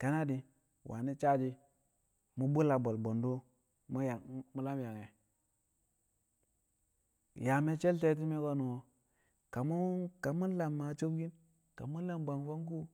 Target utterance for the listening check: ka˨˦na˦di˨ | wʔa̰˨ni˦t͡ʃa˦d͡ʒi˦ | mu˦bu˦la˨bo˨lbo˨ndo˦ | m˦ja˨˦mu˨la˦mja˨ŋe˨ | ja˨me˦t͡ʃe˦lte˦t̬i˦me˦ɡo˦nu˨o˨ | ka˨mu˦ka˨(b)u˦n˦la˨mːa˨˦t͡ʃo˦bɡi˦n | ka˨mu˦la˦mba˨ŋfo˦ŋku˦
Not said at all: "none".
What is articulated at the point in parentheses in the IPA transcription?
m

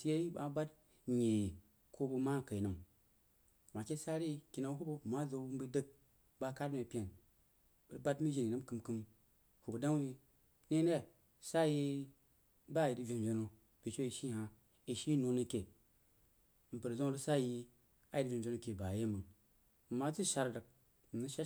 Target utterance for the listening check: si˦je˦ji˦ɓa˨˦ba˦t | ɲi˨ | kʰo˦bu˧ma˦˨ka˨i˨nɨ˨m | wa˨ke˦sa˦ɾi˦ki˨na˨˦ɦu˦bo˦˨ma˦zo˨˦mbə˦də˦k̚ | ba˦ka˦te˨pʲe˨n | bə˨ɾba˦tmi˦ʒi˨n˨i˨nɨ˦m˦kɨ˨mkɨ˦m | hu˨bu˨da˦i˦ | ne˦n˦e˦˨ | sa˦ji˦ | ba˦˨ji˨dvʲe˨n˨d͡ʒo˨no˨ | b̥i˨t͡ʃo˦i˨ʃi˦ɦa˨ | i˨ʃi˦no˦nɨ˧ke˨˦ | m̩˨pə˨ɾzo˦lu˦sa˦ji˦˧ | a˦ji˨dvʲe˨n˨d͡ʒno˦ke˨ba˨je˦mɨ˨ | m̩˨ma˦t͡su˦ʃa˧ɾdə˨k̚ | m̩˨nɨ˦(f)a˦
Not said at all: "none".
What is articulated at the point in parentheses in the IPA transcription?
ʃ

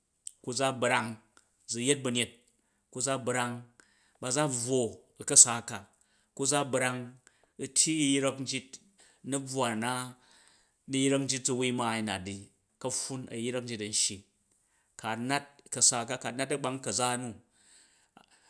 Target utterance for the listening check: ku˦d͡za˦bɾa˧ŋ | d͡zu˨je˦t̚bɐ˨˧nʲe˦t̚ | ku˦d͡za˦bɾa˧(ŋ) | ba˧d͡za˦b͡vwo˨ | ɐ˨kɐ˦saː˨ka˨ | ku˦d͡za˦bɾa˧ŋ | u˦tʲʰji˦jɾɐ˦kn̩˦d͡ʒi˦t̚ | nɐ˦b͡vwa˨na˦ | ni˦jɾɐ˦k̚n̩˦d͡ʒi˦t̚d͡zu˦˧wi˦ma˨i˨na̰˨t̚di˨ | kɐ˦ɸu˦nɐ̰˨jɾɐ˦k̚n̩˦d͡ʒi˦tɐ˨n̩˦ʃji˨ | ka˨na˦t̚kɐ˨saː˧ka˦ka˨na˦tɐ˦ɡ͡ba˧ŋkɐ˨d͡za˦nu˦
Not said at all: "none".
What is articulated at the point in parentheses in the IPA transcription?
ŋ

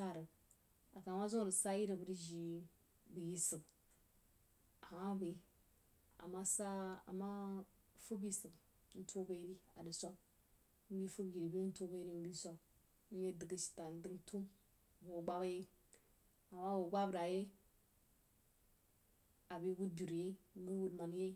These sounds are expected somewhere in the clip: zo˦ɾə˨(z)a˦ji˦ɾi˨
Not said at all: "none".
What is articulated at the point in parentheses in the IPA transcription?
s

